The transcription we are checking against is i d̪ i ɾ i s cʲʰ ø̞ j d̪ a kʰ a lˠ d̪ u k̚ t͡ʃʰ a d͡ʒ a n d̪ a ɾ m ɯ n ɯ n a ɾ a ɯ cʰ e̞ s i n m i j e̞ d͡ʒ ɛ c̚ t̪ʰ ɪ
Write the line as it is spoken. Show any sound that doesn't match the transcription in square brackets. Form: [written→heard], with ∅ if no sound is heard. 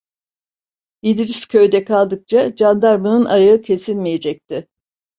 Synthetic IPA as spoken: i d̪ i ɾ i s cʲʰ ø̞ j d̪ [a→ɛ] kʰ a lˠ d̪ [u→ɯ] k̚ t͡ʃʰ a d͡ʒ a n d̪ a ɾ m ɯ n ɯ n a ɾ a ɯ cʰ e̞ s i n m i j e̞ d͡ʒ ɛ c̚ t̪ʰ ɪ